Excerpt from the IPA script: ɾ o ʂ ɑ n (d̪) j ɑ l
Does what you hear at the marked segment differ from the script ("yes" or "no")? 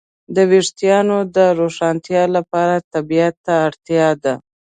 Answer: yes